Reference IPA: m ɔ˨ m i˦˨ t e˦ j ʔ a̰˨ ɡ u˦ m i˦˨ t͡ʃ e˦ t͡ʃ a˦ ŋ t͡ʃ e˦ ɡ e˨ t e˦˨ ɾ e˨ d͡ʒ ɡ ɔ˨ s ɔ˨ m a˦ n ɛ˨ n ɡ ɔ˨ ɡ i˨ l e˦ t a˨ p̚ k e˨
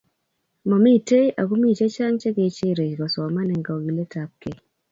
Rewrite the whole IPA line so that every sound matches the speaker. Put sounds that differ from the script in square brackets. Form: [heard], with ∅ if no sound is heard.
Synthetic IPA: m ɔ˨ m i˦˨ t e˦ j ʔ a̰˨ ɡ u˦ m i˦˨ t͡ʃ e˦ t͡ʃ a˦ ŋ t͡ʃ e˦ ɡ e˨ [t͡ʃ] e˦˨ ɾ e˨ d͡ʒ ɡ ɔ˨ s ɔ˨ m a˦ n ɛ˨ [ŋ] ɡ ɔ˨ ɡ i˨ l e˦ t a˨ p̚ k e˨